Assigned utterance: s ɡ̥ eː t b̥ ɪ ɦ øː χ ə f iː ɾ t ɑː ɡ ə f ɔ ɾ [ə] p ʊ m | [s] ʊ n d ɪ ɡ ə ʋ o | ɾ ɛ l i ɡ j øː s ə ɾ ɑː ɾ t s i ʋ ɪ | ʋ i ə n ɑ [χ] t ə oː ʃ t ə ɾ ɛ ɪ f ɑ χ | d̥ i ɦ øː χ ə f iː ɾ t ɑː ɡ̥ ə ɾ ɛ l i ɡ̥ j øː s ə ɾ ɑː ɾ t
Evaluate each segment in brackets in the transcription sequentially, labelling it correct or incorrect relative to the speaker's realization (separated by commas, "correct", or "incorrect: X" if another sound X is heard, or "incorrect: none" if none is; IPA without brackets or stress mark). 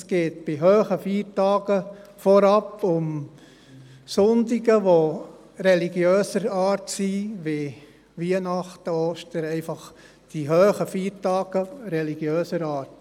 incorrect: ɑ, correct, correct